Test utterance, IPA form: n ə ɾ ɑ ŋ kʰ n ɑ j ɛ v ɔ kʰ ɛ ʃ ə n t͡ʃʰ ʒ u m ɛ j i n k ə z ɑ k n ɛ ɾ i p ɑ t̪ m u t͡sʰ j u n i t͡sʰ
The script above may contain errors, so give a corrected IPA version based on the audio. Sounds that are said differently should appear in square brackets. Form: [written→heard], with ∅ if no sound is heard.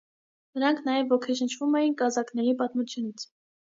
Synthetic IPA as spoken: n ə ɾ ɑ ŋ kʰ n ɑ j ɛ v ɔ kʰ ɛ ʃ ə n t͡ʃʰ [ʒ→v] u m ɛ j i n k [ə→ɑ] z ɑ k n ɛ ɾ i p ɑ t̪ m u t͡sʰ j u n i t͡sʰ